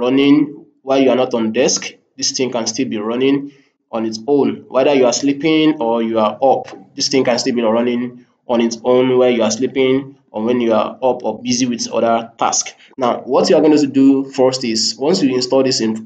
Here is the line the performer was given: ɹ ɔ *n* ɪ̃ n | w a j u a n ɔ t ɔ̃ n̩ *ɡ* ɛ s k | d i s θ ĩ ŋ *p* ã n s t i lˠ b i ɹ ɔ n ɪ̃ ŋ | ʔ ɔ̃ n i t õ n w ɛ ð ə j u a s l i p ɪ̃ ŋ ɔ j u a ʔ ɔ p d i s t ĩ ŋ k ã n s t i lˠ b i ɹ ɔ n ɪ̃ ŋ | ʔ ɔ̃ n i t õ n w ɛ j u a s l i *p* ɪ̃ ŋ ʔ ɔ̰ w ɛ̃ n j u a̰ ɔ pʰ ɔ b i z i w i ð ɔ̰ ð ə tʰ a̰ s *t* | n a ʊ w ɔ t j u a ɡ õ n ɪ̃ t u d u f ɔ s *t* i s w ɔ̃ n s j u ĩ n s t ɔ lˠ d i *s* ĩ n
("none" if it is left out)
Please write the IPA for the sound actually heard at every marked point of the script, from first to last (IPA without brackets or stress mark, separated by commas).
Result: n, d, k, p, k, t, s